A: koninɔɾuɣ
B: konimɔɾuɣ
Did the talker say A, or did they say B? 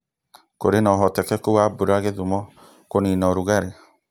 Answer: A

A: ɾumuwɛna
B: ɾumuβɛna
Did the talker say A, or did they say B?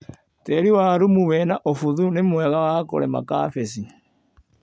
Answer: B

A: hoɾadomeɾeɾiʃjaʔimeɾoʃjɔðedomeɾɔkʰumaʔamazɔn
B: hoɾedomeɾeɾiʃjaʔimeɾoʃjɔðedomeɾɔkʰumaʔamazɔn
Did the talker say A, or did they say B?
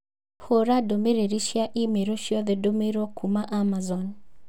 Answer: A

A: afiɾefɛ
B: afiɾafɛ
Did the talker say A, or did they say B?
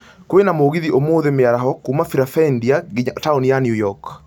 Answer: B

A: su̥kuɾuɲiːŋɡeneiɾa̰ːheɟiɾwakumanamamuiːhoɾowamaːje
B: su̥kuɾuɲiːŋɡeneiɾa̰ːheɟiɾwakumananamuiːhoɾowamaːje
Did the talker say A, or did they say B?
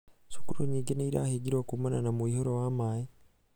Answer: B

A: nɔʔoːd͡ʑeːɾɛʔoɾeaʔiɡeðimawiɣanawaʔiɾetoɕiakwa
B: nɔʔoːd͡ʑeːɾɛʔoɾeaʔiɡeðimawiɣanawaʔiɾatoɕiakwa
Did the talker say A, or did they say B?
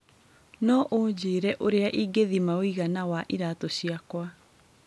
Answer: B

